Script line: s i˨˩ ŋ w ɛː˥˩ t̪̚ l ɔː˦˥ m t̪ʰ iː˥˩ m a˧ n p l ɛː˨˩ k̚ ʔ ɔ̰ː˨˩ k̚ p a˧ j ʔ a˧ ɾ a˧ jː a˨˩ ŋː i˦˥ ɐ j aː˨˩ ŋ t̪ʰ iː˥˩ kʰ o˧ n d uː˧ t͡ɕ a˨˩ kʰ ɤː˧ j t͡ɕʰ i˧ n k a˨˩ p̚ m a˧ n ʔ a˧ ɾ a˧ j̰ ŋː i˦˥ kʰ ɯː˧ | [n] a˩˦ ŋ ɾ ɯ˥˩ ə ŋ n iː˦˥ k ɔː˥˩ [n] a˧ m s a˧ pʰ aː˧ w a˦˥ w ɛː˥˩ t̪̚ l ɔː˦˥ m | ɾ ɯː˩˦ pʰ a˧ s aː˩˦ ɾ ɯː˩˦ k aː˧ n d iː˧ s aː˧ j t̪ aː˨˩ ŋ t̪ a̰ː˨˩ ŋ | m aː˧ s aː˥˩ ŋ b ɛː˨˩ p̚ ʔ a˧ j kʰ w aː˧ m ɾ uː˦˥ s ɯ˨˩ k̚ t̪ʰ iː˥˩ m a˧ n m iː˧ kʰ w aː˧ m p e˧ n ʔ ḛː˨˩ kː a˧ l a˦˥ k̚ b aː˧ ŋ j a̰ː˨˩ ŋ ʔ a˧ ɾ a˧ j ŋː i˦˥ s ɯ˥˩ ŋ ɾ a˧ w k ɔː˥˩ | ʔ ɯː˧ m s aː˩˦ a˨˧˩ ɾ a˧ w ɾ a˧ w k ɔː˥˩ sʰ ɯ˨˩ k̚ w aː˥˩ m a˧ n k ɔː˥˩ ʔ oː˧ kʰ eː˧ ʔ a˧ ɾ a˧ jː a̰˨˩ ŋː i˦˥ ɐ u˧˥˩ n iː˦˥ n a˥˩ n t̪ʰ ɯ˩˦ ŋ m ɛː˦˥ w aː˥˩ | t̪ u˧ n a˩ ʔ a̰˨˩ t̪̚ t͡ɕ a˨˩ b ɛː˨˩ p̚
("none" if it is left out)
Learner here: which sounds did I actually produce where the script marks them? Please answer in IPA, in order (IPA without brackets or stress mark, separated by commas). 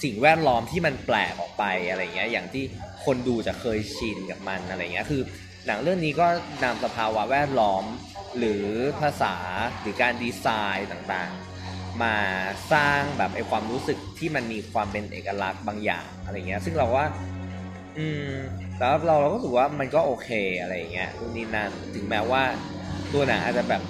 n, n